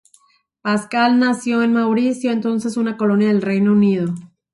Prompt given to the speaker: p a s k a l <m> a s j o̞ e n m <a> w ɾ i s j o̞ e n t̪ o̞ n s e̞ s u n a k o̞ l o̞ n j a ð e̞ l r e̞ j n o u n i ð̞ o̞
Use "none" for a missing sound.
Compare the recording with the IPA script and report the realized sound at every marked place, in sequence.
n, a

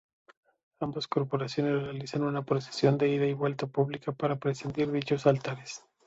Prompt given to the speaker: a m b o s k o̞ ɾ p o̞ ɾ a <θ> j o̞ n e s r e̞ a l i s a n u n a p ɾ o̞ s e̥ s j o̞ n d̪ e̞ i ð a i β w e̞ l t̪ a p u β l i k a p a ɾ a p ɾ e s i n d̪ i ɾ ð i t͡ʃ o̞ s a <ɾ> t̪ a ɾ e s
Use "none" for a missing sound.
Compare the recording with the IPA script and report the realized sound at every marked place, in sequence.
s, l

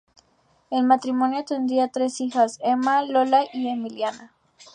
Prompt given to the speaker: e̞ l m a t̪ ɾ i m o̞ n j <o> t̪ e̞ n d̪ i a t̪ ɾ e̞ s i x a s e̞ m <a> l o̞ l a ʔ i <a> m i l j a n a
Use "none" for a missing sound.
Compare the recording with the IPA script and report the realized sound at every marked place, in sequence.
o, a, e

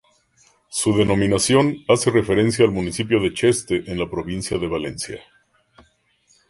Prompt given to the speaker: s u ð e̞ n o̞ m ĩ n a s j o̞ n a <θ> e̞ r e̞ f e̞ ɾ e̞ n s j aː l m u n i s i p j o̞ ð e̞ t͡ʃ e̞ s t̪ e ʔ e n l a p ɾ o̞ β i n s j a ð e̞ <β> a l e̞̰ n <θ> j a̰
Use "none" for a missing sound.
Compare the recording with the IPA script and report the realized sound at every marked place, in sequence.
s, β, s

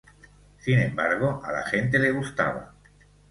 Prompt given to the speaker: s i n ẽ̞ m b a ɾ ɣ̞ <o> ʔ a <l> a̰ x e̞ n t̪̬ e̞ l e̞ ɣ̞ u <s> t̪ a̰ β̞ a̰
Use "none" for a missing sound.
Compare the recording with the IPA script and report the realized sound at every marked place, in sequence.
o, l, s

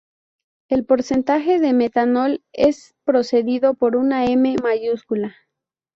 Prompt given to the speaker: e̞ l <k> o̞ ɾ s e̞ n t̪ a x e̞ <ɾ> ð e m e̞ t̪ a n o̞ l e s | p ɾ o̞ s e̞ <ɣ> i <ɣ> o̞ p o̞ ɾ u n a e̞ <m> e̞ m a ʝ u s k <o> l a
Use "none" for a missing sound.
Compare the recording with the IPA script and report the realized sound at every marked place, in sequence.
p, none, ð, ð, m, u

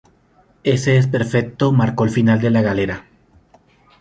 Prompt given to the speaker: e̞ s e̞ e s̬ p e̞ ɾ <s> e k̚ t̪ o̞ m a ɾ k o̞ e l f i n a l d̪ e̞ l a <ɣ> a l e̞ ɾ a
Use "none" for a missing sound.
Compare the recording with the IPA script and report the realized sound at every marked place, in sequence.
f, ɣ

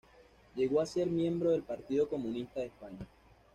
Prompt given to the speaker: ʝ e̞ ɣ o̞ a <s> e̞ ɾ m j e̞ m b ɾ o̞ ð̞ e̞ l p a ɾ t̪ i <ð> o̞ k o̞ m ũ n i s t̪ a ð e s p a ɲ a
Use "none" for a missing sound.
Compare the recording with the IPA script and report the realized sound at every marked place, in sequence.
s, ð

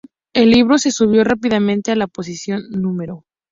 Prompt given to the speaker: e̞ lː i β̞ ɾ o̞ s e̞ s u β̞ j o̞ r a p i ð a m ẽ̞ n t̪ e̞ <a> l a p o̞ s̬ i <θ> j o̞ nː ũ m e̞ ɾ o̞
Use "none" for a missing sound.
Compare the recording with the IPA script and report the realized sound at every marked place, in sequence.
a, s

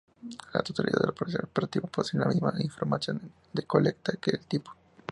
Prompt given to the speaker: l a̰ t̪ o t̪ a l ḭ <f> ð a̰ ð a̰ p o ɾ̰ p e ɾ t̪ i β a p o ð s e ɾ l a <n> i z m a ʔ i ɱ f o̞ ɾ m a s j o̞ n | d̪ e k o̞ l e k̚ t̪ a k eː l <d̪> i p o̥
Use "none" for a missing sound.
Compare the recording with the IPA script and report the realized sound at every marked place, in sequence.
none, m, t̪

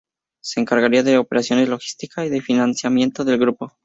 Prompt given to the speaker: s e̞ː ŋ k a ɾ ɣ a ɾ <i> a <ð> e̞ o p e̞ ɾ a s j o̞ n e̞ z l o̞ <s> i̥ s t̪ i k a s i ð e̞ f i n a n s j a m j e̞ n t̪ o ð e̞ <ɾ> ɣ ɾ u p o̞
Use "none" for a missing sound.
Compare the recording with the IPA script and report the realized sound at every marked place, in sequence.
i, ð, x, l

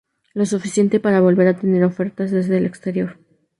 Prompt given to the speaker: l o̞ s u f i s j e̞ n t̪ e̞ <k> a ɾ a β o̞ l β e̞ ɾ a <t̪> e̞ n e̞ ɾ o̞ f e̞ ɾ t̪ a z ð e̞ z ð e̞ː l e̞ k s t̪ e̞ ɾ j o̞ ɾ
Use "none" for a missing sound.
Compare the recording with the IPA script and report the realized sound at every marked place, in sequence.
p, t̪

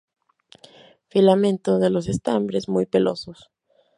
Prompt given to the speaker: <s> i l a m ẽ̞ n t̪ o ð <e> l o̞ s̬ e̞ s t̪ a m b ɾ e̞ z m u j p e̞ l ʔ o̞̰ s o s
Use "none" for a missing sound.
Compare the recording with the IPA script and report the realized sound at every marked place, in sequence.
f, e

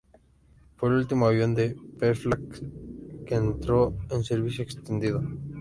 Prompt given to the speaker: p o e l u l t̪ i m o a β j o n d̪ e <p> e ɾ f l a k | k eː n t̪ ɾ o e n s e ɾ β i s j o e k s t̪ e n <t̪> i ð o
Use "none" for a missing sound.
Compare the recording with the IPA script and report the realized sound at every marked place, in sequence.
p, d̪

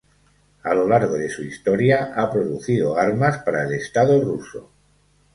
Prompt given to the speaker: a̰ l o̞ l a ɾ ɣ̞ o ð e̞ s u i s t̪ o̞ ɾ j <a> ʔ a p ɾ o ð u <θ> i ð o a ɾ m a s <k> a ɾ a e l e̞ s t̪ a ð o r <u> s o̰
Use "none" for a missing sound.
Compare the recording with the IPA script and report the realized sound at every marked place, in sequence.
a, θ, p, u

